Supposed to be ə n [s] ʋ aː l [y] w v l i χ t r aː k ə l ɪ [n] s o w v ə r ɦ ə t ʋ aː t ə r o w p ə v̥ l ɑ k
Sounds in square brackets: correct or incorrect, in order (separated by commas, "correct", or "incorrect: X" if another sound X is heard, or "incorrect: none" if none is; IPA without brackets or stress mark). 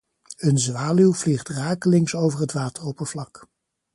incorrect: z, correct, incorrect: ŋ